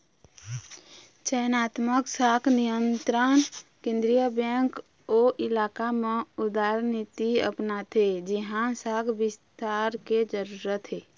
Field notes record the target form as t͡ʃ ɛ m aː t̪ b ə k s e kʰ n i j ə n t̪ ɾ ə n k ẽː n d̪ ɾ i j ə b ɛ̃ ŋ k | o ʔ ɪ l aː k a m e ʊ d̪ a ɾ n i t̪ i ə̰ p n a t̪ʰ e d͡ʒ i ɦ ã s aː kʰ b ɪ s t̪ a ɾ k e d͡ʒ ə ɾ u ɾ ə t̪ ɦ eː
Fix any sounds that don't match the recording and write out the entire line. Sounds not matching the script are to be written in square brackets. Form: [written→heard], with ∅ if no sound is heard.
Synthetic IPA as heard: t͡ʃ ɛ [m→n] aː t̪ [b→m] ə k s [e→a] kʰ n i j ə n t̪ ɾ ə n k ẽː n d̪ ɾ i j ə b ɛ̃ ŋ k | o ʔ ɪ l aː k a m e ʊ d̪ a ɾ n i t̪ i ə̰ p n a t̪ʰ e d͡ʒ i ɦ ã s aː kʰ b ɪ s t̪ a ɾ k e d͡ʒ ə ɾ u ɾ ə t̪ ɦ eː